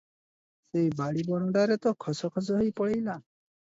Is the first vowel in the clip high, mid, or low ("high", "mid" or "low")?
mid